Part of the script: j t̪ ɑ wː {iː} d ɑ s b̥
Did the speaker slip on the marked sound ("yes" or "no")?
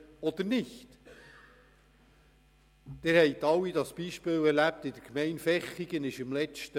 yes